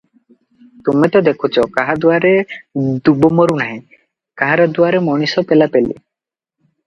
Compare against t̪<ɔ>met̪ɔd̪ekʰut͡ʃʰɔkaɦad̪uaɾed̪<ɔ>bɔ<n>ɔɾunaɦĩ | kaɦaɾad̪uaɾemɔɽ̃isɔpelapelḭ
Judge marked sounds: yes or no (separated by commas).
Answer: no, no, no